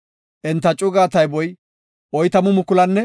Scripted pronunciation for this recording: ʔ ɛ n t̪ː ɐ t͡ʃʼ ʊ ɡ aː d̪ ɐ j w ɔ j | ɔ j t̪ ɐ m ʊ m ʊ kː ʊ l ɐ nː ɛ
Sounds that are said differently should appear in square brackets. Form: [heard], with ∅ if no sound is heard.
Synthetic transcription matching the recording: ʔ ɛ n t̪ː ɐ t͡ʃʼ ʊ ɡ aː [t̪] ɐ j [b] ɔ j | ɔ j t̪ ɐ m ʊ m ʊ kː ʊ l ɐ nː ɛ